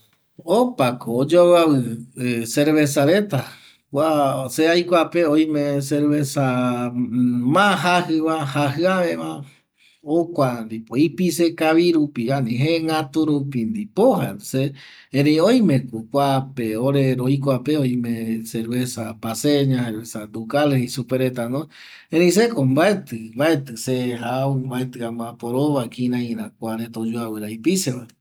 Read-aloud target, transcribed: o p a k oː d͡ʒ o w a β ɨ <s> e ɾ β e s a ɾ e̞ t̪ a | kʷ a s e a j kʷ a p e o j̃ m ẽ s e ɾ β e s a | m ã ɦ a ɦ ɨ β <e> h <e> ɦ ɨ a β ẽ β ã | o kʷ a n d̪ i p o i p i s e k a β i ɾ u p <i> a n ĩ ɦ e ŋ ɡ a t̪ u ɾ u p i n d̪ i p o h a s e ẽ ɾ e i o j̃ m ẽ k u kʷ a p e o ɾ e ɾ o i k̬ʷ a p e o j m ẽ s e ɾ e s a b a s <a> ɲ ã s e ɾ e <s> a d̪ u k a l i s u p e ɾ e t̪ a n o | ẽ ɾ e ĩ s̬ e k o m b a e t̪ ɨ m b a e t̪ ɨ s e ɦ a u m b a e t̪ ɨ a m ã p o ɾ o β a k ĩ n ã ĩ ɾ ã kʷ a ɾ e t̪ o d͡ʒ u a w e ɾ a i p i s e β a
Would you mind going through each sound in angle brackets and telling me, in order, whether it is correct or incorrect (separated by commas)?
correct, incorrect, incorrect, correct, incorrect, correct